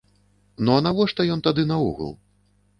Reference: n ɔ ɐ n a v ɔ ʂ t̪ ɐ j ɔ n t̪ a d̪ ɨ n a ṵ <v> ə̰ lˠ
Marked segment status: incorrect: ɣ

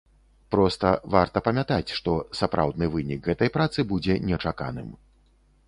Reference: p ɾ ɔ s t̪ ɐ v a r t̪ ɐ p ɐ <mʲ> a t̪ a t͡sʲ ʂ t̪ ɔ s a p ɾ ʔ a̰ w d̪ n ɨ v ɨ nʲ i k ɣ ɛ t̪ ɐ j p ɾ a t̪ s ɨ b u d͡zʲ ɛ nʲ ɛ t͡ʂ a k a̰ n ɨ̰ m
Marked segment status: correct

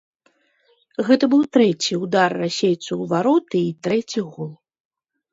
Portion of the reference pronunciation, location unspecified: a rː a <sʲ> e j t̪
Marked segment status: correct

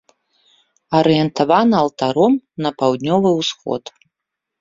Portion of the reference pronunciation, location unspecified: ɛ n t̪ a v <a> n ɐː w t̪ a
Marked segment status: correct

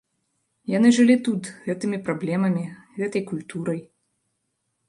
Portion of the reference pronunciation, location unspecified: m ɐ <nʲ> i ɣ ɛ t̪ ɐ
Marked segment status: incorrect: mʲ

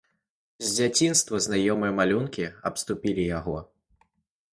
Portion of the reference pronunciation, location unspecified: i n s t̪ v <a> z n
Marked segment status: incorrect: ɐ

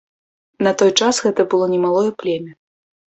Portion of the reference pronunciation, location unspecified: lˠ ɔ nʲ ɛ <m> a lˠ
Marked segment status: correct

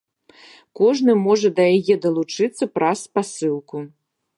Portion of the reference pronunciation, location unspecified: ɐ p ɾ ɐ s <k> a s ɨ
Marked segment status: incorrect: p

